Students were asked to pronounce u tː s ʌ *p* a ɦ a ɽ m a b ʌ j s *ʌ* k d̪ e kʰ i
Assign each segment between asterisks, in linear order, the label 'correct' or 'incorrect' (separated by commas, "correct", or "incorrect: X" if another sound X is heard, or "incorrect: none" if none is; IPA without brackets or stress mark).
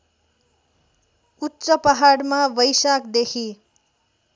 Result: correct, incorrect: a